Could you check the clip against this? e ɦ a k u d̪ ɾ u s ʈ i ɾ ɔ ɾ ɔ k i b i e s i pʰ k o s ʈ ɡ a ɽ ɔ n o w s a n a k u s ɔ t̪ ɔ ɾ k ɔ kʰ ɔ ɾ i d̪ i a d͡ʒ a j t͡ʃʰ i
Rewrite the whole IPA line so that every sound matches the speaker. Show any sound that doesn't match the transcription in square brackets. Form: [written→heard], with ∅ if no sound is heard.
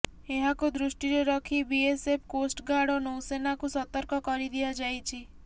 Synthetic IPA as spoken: e ɦ a k u d̪ ɾ u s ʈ i ɾ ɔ ɾ ɔ [k→kʰ] i b i e s [i→e] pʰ k o s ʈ ɡ a ɽ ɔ n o w s [a→e] n a k u s ɔ t̪ ɔ ɾ k ɔ [kʰ→k] ɔ ɾ i d̪ i a d͡ʒ a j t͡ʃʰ i

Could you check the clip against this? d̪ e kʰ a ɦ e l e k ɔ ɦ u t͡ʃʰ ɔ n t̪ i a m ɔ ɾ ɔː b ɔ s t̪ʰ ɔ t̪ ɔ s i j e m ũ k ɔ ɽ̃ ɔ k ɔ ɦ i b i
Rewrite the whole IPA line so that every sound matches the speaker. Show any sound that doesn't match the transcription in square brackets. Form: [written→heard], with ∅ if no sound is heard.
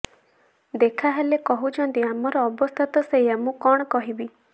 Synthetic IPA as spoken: d̪ e kʰ a ɦ e l e k ɔ ɦ u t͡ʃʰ ɔ n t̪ i a m ɔ ɾ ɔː b ɔ s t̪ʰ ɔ t̪ ɔ s [i→e] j [e→a] m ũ k ɔ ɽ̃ ɔ k ɔ ɦ i b i

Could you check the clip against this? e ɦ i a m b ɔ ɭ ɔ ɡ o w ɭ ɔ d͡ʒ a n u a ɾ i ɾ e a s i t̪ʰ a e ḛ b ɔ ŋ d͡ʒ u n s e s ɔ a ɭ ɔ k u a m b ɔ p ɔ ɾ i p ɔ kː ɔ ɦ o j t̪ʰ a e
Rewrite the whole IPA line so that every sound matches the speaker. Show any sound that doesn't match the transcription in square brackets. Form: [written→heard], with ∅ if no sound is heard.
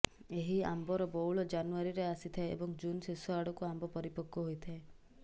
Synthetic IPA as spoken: e ɦ i a m b ɔ [ɭ→ɾ] ɔ [ɡ→b] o w ɭ ɔ d͡ʒ a n u a ɾ i ɾ e a s i t̪ʰ a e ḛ b ɔ ŋ d͡ʒ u n s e s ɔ a [ɭ→ɽ] ɔ k u a m b ɔ p ɔ ɾ i p ɔ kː ɔ ɦ o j t̪ʰ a e

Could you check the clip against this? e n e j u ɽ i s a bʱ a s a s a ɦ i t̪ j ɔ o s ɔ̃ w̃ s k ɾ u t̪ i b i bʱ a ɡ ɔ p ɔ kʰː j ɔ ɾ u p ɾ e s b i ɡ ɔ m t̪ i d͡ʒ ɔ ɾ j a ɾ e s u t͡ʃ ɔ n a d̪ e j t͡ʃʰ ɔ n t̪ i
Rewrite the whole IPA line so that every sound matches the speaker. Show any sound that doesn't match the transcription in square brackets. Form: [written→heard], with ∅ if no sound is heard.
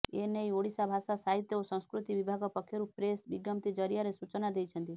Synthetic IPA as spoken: e n e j [u→o] ɽ i s a bʱ a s a s a ɦ i t̪ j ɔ o s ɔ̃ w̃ s k ɾ u t̪ i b i bʱ a ɡ ɔ p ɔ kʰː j ɔ ɾ u p ɾ e s b i ɡ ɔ m t̪ i d͡ʒ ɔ ɾ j a ɾ e s u t͡ʃ ɔ n a d̪ e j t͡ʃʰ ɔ n t̪ i

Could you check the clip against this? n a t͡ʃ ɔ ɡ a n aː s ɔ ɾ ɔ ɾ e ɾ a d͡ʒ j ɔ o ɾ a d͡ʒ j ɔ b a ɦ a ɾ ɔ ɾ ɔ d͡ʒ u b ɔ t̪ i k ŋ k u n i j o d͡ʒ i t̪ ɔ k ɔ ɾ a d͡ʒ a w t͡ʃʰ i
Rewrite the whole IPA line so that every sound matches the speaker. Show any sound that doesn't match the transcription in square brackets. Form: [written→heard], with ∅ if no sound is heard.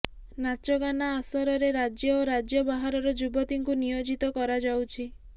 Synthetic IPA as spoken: n a t͡ʃ ɔ ɡ a n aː s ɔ ɾ ɔ ɾ e ɾ a d͡ʒ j ɔ o ɾ a d͡ʒ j ɔ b a ɦ a ɾ ɔ ɾ ɔ d͡ʒ u b ɔ t̪ i [k→∅] ŋ k u n i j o d͡ʒ i t̪ ɔ k ɔ ɾ a d͡ʒ a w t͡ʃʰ i

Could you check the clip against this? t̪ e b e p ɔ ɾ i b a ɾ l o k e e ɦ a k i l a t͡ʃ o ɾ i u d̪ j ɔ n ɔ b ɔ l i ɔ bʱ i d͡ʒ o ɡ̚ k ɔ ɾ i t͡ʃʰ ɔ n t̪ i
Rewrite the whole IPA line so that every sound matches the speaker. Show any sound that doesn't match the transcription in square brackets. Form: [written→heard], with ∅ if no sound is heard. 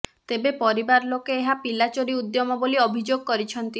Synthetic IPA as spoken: t̪ e b e p ɔ ɾ i b a ɾ l o k e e ɦ a [k→p] i l a t͡ʃ o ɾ i u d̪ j ɔ [n→m] ɔ b [ɔ→o] l i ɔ bʱ i d͡ʒ o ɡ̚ k ɔ ɾ i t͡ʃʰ ɔ n t̪ i

